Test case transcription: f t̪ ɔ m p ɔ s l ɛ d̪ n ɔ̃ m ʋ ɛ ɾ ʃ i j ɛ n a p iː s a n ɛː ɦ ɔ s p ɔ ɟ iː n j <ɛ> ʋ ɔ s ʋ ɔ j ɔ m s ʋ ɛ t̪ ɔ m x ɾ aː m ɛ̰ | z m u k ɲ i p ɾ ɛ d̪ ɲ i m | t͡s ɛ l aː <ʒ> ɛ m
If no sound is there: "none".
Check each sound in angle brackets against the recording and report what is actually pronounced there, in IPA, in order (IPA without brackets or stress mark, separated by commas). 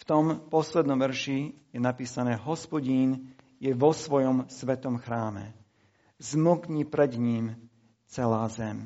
ɛ, z